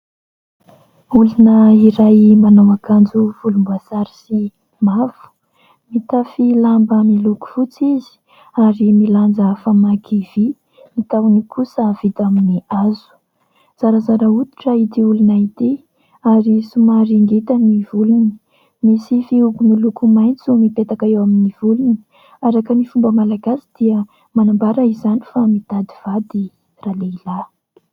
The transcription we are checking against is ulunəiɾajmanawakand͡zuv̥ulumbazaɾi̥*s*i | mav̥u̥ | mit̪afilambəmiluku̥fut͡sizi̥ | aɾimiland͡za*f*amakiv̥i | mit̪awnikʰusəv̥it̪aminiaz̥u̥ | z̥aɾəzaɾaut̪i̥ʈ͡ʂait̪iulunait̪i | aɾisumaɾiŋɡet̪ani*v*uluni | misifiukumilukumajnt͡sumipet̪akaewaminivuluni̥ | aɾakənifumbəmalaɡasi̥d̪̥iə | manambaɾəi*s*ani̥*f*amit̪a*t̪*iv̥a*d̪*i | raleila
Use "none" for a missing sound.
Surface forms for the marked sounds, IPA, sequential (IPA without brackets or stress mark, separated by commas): s, f, v, z, f, d̪, d̪